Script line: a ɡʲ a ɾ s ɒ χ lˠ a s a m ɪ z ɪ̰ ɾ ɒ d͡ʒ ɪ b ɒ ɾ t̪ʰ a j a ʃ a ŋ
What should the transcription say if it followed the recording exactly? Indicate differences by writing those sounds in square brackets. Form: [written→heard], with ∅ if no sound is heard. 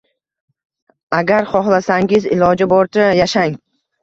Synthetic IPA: a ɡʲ a ɾ [s→χ] ɒ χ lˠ a s a [m→ŋ] ɪ z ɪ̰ [ɾ→l] ɒ d͡ʒ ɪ b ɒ ɾ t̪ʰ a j a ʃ a ŋ